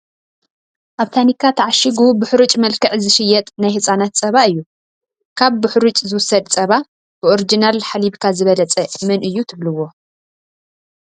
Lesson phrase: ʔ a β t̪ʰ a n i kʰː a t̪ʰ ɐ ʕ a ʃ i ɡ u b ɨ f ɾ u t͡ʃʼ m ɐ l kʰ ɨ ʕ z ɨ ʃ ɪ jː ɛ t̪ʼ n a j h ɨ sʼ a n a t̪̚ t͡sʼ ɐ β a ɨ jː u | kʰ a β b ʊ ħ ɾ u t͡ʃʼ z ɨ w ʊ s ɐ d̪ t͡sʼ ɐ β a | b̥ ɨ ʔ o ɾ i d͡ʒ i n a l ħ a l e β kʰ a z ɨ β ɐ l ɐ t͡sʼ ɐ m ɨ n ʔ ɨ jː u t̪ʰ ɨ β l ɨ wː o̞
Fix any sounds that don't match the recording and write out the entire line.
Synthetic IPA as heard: ʔ a β t̪ʰ a n i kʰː a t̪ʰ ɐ ʕ a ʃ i ɡ u b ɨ ħ ɾ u t͡ʃʼ m ɐ l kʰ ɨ ʕ z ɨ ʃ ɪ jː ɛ t̪ʼ n a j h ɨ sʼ a n a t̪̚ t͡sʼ ɐ β a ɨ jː u | kʰ a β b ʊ ħ ɾ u t͡ʃʼ z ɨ w ʊ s ɐ d̪ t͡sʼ ɐ β a | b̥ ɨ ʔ o ɾ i d͡ʒ i n a l ħ a l i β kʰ a z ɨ β ɐ l ɐ t͡sʼ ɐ m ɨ n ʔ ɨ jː u t̪ʰ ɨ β l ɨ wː o̞

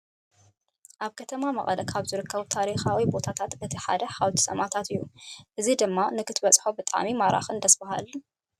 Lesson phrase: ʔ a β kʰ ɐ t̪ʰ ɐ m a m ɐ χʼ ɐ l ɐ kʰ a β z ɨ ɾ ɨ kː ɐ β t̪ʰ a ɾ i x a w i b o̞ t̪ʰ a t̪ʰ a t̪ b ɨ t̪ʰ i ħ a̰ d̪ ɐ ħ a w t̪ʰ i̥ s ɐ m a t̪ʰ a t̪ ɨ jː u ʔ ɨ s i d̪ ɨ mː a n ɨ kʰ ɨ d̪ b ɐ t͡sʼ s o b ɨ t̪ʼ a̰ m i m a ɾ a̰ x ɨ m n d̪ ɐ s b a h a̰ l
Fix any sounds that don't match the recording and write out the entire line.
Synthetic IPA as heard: ʔ a β kʰ ɐ t̪ʰ ɐ m a m ɐ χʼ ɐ l ɐ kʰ a β z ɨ ɾ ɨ kː ɐ β t̪ʰ a ɾ i x a w i b o̞ t̪ʰ a t̪ʰ a t̪ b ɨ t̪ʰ i ħ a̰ d̪ ɐ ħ a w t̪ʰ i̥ s ɐ m a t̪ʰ a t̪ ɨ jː u ʔ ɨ z i d̪ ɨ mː a n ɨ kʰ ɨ t̪ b ɐ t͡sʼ ħ o b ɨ t̪ʼ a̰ m i m a ɾ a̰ x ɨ n d̪ ɐ s b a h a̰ l

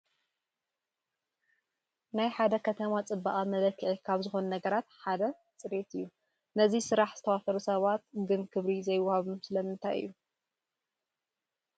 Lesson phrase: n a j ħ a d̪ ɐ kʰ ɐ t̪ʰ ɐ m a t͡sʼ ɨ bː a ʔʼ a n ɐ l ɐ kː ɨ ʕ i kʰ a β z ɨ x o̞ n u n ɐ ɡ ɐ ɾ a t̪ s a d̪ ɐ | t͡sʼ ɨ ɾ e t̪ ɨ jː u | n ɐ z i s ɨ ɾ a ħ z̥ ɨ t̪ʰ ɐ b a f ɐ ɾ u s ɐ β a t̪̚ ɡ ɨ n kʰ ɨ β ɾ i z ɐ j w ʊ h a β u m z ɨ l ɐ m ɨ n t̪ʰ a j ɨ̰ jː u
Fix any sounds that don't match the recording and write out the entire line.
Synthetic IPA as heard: n a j ħ a d̪ ɐ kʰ ɐ t̪ʰ ɐ m a t͡sʼ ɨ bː a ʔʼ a m ɐ l ɐ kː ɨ ʕ i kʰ a β z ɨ x o̞ n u n ɐ ɡ ɐ ɾ a t̪ ħ a d̪ ɐ | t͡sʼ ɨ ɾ e t̪ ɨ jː u | n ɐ z i s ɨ ɾ a ħ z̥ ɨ t̪ʰ ɐ w a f ɐ ɾ u s ɐ β a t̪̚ ɡ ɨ n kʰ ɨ β ɾ i z ɐ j w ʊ h a β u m s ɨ l ɐ m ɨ n t̪ʰ a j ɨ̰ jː u

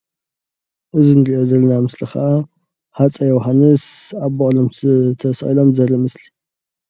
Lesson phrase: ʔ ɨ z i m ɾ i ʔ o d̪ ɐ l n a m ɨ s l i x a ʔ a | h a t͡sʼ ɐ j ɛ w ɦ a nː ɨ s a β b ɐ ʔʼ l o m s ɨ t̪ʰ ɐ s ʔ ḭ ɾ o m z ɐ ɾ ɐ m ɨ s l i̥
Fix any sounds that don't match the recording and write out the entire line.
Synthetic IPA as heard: ʔ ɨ z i n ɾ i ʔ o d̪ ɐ l n a m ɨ s l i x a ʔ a | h a t͡sʼ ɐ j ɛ w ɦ a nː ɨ s a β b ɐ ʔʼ l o m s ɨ t̪ʰ ɐ s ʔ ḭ l o m z ɐ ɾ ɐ m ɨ s l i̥

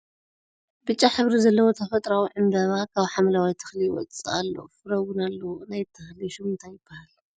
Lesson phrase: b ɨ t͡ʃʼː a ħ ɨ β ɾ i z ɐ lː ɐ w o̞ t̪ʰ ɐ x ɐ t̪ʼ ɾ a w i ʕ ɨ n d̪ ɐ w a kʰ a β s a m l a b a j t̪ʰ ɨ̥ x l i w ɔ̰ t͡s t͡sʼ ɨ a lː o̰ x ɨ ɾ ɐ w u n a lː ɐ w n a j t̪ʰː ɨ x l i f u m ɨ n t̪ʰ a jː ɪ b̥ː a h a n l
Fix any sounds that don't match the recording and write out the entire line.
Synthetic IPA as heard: b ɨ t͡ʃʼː a ħ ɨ β ɾ i z ɐ lː ɐ w o̞ t̪ʰ ɐ f ɐ t̪ʼ ɾ a w i ʕ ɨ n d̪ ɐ β a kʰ a β ħ a m l a w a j t̪ʰ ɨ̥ x l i w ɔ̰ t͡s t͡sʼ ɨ a lː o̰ f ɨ ɾ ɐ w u n a lː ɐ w n a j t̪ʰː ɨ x l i ʃ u m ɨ n t̪ʰ a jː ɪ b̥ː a h a l

